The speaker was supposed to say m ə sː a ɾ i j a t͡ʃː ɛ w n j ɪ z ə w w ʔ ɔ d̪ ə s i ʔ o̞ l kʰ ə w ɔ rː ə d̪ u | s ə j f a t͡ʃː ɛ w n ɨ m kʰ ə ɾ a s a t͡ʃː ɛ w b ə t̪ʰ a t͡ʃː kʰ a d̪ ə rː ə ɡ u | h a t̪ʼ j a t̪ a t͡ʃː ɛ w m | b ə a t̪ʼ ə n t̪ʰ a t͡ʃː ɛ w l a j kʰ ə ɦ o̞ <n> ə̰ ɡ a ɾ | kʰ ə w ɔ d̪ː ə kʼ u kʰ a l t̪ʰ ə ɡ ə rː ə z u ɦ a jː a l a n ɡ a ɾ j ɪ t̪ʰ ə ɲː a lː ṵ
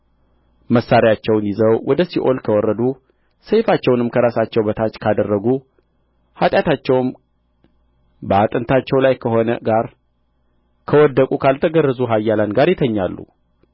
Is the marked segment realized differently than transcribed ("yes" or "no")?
no